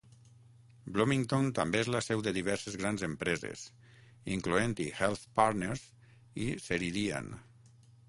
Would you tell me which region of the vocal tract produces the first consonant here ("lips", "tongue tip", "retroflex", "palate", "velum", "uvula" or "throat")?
lips